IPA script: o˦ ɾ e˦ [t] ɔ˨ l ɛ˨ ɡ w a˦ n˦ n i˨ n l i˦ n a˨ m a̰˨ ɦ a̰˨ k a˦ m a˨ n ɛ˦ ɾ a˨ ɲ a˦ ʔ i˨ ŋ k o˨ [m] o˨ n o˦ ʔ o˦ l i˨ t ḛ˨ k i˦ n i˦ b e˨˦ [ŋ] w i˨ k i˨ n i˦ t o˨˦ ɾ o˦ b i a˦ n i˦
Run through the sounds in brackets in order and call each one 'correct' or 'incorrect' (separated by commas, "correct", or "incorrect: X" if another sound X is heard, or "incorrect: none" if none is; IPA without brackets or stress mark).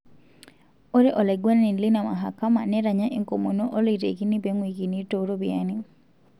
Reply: incorrect: ʔ, correct, correct